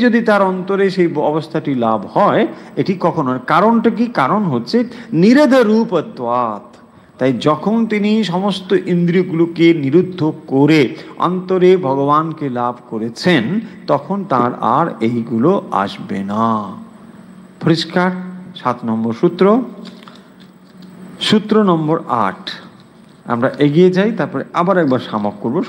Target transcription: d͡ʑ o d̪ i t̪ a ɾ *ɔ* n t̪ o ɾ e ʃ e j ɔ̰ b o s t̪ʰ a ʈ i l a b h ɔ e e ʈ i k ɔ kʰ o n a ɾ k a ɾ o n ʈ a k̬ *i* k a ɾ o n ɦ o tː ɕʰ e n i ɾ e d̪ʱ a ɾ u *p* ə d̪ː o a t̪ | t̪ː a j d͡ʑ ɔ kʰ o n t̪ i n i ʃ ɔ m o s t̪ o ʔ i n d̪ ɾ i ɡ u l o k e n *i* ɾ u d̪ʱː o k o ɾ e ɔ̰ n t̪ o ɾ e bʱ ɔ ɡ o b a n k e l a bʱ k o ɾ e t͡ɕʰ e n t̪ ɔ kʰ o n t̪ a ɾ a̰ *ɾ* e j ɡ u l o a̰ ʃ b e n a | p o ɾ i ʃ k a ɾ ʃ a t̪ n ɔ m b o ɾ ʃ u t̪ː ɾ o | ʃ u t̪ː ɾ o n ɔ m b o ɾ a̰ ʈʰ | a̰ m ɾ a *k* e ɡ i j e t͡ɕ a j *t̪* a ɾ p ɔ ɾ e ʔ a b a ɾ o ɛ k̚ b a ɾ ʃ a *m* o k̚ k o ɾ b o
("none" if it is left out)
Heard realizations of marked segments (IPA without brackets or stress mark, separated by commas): ɔ, i, p, i, ɾ, ʔ, t̪, m